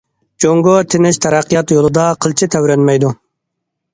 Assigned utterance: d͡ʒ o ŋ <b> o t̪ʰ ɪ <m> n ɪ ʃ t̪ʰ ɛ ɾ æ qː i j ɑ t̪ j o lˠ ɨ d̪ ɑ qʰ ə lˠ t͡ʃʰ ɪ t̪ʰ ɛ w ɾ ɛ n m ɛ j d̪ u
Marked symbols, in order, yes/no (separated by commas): no, no